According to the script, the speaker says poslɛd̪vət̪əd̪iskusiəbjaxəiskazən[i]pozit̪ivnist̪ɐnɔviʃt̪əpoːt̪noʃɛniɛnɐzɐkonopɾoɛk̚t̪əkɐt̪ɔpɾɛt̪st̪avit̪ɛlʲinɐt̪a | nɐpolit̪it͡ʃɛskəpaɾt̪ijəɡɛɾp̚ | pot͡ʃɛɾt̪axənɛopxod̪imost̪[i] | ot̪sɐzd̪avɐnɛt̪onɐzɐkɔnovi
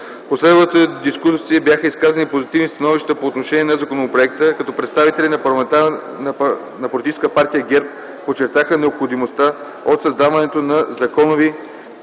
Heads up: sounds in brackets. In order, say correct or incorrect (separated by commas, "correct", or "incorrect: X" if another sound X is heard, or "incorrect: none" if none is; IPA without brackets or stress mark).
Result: correct, incorrect: a